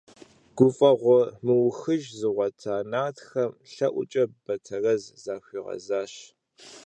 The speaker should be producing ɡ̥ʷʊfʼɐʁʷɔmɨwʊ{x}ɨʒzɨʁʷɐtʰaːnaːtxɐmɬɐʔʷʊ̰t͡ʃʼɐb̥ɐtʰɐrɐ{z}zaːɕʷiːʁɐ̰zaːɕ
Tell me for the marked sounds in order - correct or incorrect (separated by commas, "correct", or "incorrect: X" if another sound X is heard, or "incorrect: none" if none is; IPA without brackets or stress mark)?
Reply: correct, correct